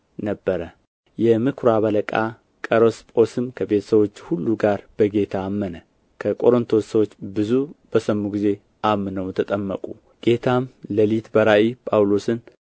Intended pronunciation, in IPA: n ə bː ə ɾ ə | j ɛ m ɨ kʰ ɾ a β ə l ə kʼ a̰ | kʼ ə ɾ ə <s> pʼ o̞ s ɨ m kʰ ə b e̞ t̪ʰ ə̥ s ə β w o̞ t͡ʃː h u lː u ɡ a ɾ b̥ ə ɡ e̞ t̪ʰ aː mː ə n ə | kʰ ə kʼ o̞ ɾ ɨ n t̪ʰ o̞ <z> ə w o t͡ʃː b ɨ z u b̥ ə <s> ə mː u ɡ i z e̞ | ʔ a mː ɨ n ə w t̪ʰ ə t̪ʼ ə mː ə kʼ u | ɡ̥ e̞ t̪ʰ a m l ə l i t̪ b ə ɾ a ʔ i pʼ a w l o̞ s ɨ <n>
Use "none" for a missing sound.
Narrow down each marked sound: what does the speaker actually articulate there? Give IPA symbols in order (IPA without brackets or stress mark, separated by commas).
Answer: s, s, s, n